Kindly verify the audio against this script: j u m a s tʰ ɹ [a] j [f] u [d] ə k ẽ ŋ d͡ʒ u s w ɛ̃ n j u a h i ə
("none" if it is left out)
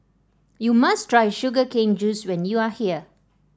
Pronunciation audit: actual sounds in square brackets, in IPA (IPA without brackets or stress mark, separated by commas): a, ʃ, ɡ